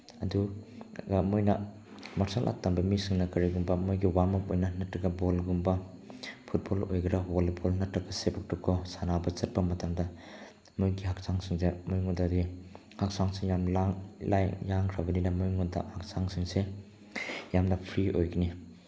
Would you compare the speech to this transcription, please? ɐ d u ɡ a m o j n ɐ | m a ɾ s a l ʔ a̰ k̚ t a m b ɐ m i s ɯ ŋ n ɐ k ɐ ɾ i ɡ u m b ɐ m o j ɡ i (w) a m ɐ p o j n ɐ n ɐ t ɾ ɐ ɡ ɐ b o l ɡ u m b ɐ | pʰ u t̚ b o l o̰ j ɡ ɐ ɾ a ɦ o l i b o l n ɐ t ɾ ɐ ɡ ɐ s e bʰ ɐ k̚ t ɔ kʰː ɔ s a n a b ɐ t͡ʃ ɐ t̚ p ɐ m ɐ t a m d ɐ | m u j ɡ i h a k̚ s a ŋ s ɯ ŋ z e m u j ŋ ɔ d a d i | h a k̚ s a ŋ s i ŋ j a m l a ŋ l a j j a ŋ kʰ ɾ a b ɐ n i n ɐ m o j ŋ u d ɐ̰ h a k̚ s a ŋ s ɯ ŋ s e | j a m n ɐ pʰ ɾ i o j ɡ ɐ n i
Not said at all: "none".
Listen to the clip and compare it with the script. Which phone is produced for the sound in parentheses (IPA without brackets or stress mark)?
w